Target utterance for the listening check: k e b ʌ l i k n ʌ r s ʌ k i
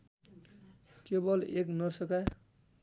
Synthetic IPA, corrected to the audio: k e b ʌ l e k n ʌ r s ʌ k a